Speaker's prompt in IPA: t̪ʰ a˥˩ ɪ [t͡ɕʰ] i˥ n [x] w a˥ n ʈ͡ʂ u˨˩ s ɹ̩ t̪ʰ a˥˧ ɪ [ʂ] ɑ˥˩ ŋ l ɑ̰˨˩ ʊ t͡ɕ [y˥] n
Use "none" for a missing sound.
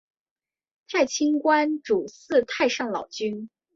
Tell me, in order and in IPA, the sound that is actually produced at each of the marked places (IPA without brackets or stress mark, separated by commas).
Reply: t͡ɕʰ, k, ʂ, y˥